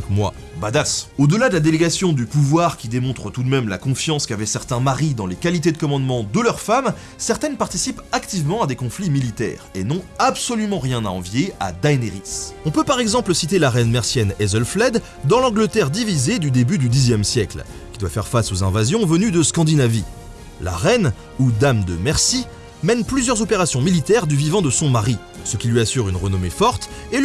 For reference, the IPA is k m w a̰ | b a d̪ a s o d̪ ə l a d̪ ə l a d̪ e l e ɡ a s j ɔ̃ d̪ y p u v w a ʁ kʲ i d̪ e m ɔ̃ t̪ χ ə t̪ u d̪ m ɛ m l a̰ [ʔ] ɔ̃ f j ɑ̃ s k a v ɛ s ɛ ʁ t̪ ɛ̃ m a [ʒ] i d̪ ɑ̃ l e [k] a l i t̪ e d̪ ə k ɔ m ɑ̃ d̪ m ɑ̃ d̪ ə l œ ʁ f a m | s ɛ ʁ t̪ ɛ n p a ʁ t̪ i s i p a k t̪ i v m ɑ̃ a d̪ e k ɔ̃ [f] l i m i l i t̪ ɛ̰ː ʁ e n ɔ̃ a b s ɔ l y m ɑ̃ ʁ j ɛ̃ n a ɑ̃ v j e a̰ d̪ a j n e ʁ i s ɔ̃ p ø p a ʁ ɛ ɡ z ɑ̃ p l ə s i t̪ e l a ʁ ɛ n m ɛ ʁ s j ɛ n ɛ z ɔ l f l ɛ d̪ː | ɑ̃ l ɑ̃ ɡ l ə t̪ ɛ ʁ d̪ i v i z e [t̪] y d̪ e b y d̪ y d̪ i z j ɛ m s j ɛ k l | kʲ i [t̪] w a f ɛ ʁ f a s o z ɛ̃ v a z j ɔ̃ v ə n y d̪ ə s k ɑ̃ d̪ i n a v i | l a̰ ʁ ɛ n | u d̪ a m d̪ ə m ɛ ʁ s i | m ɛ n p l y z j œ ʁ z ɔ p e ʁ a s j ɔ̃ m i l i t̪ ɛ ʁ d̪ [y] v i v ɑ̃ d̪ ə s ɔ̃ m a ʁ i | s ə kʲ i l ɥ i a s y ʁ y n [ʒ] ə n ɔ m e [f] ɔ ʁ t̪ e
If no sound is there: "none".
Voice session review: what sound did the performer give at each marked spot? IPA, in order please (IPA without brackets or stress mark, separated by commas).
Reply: k, ʁ, k, f, d̪, d̪, y, ʁ, f